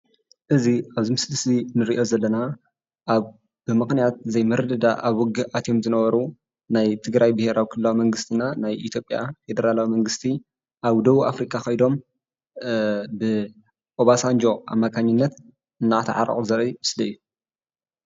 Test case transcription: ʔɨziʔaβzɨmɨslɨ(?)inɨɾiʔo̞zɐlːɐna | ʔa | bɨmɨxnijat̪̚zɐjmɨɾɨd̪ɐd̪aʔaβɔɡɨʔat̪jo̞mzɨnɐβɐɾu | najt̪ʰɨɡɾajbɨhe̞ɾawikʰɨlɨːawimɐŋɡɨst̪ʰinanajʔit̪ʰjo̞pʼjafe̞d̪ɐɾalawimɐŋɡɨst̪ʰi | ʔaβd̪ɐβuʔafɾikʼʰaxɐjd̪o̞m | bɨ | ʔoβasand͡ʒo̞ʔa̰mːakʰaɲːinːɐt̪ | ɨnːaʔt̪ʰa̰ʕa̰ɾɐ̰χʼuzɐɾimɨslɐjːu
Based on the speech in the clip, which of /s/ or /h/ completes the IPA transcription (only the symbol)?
s